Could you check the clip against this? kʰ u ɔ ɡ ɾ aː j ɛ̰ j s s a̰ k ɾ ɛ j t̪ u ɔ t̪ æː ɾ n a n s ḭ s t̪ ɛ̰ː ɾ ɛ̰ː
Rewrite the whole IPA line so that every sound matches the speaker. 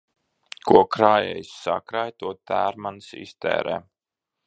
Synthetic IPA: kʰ u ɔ k ɾ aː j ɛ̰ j s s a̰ k ɾ a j t̪ u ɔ t̪ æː ɾ m a n s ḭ s t̪ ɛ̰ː ɾ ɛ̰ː

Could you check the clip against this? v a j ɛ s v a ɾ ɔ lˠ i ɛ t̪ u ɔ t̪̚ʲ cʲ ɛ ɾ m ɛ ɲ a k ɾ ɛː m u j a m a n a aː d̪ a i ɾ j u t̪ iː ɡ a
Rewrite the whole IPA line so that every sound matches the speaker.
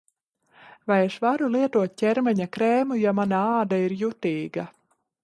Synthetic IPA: v a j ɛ ʃ v a ɾ u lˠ i ɛ t̪ u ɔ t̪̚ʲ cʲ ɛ ɾ m ɛ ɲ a k ɾ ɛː m u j a m a n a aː d̪ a i ɾ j u t̪ iː ɡ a

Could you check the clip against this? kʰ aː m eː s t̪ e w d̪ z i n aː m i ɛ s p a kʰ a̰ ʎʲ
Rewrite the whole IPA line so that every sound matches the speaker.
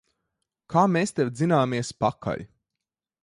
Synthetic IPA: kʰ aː m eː s t̪ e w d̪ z i n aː m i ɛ s p a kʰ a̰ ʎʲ

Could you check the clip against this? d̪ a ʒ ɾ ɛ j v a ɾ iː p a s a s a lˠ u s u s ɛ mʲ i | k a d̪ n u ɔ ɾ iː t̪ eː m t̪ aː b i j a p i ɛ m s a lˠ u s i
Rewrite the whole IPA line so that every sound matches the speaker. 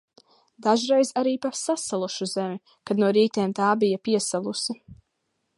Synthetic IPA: d̪ a ʒ ɾ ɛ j z a ɾ iː p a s a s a lˠ u ʃ u z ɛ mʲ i | k a d̪ n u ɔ ɾ iː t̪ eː m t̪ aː b i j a p i ɛ s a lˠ u s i

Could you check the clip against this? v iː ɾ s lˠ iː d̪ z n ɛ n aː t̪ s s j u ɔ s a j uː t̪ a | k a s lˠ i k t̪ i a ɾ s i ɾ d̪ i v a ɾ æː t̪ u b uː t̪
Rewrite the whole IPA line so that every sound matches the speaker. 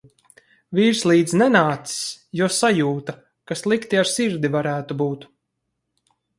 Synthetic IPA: v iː ɾ s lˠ iː d̪ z n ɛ n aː t̪ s s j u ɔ s a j uː t̪ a | k a s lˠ i k t̪ i a ɾ s i ɾ d̪ i v a ɾ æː t̪ u b uː t̪

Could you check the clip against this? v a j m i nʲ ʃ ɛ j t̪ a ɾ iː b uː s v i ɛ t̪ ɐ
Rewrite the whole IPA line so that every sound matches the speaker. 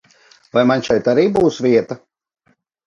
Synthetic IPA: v a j m a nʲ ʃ ɛ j t̪ a ɾ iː b uː s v i ɛ t̪ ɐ

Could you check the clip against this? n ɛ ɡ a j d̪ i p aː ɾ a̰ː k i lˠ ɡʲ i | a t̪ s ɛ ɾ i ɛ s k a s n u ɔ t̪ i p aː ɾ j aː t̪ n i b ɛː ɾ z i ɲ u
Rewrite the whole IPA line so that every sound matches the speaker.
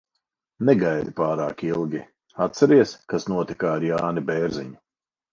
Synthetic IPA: n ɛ ɡ a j d̪ i p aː ɾ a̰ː k i lˠ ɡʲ i | a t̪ s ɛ ɾ i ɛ s k a s n u ɔ t̪ i k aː ɾ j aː n i b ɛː ɾ z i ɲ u

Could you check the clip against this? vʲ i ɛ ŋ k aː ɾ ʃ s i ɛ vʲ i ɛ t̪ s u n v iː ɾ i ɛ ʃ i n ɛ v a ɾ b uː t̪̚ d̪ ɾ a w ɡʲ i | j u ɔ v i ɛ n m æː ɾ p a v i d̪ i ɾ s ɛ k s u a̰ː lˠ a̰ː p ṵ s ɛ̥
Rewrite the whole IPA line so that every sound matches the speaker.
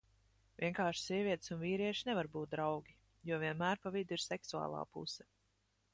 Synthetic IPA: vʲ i ɛ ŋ k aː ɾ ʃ s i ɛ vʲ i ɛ t̪ s u n v iː ɾ i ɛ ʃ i n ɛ v a ɾ b uː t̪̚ d̪ ɾ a w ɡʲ i | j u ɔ v i ɛ n m æː ɾ p a v i d̪ i ɾ s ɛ k s u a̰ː lˠ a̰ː p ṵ s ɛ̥

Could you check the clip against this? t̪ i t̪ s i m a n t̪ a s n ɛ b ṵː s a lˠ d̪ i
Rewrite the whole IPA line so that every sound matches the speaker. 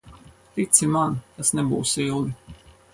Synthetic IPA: t̪ i t̪ s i m a n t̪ a s n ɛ b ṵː s i lˠ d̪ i

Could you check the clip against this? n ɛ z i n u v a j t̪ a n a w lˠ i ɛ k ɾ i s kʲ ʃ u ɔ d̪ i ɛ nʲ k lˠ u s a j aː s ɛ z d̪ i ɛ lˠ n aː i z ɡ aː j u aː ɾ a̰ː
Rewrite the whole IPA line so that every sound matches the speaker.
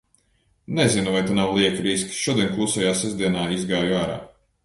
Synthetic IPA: n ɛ z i n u v a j t̪ a n a w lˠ i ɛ k ɾ i s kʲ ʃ u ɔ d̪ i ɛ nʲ k lˠ u s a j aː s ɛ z d̪ i ɛ n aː i z ɡ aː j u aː ɾ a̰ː

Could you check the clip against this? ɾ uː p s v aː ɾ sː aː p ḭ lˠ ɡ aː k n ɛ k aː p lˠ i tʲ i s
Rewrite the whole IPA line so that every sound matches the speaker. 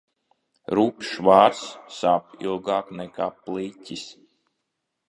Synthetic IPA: ɾ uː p ʃ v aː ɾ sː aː p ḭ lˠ ɡ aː k n ɛ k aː p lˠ i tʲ i s

